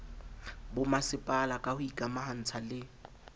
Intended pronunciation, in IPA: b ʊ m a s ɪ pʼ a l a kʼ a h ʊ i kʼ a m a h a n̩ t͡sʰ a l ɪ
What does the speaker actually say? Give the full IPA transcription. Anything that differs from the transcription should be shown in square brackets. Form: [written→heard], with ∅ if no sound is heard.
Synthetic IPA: b ʊ m a s ɪ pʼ a l a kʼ a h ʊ i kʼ a m a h a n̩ t͡sʰ a l ɪ